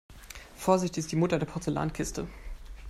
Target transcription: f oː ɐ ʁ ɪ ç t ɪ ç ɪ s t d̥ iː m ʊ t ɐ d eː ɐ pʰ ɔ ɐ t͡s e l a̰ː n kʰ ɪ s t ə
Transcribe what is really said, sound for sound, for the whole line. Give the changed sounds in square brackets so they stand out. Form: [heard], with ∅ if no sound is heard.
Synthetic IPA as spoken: f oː ɐ [z] ɪ ç t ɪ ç ɪ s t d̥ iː m ʊ t ɐ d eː ɐ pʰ ɔ ɐ t͡s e l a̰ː n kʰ ɪ s t ə